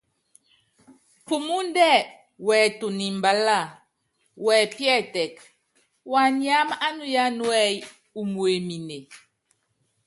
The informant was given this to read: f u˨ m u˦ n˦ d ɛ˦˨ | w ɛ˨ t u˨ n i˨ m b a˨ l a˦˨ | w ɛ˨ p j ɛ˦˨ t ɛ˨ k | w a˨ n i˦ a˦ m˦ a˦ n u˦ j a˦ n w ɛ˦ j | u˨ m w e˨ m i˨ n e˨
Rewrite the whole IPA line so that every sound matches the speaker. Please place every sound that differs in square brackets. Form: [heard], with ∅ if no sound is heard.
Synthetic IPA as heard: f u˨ m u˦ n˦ d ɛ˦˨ | w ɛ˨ t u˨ n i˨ m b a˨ l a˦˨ | w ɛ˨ p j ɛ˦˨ t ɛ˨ k | w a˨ n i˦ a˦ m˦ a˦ n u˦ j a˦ n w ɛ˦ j | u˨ m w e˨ m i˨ n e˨